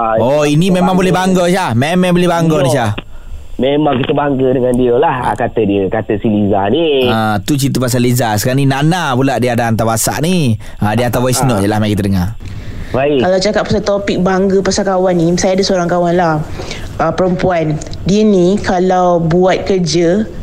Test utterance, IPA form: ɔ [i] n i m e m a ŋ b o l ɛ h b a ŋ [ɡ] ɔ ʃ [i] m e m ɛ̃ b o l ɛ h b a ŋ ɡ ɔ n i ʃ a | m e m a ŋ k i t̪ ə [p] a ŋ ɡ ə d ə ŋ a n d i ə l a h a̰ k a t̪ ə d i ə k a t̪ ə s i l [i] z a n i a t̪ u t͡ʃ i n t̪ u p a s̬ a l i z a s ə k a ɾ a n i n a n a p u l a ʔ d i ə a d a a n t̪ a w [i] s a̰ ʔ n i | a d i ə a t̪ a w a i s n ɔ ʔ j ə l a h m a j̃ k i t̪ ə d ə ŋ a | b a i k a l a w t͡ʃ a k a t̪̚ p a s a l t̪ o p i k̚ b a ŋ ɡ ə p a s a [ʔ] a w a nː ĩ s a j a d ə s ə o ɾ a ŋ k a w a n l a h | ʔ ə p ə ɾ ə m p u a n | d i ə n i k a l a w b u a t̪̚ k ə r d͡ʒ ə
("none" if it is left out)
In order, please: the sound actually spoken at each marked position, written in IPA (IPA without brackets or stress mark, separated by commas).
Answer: i, ɡ, a, b, i, a, k